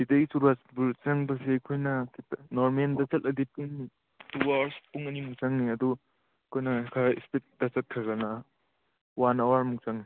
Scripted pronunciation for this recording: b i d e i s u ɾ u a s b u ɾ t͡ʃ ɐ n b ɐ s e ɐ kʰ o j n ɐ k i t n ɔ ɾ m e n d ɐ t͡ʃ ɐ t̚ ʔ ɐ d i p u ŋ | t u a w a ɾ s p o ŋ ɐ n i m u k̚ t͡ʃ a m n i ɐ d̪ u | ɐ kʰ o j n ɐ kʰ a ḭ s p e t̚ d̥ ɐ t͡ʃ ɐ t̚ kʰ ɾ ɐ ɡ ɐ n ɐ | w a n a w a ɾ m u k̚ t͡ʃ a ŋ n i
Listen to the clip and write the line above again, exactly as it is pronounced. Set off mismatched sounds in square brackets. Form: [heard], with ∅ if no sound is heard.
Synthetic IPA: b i d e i s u ɾ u a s b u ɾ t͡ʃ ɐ [ŋ] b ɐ s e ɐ kʰ o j n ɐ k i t n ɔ ɾ m e n d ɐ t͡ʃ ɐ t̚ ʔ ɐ d i p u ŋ | t u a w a ɾ s p [u] ŋ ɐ n i m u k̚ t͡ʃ a [ŋ] n i ɐ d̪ u | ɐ kʰ o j n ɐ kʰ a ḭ s p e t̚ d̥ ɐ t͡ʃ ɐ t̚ kʰ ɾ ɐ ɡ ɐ n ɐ | w a n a w a ɾ m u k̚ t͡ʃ a ŋ n i